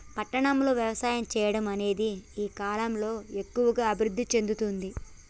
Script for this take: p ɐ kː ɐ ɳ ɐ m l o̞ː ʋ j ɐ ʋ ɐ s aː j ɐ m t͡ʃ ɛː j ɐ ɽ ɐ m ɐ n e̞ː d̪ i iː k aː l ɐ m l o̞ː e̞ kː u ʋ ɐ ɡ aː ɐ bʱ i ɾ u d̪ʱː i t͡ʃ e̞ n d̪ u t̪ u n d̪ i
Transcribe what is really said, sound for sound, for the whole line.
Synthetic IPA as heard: p ɐ ʈː ɐ ɳ ɐ m l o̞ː ʋ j ɐ ʋ ɐ s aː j ɐ m t͡ʃ ɛː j ɐ ɽ ɐ m ɐ n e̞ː d̪ i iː k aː l ɐ m l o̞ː e̞ kː u ʋ ɐ ɡ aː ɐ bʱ i ɾ u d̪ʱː i t͡ʃ e̞ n d̪ u t̪ u n d̪ i